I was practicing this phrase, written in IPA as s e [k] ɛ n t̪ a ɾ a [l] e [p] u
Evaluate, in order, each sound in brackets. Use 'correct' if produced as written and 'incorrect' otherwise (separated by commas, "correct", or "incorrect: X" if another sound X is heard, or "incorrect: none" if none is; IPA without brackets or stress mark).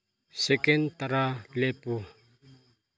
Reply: correct, correct, correct